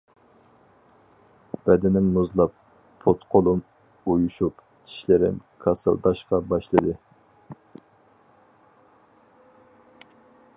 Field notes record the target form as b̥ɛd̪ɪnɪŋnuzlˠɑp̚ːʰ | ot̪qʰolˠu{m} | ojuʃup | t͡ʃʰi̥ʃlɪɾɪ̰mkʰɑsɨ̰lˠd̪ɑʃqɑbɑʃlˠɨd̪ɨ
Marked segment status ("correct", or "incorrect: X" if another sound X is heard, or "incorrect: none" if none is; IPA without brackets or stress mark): correct